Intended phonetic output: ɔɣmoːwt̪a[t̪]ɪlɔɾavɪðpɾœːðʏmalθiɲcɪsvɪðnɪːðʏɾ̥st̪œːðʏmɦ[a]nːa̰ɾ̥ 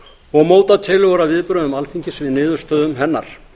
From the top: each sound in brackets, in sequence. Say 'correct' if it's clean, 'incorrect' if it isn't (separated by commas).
incorrect, incorrect